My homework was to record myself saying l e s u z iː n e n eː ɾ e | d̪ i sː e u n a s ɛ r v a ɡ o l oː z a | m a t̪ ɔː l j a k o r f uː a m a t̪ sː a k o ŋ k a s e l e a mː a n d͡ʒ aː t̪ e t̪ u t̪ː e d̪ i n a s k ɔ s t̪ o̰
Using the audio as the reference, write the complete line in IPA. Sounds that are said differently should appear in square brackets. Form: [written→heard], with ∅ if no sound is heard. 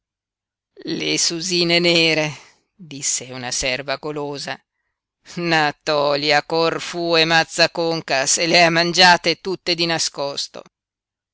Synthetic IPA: l e s u z iː n e n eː ɾ e | d̪ i sː e u n a s ɛ r v a ɡ o l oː z a | [m→n] a t̪ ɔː l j a k o r f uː [a→e] m a t̪ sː a k o ŋ k a s e l e a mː a n d͡ʒ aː t̪ e t̪ u t̪ː e d̪ i n a s k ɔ s t̪ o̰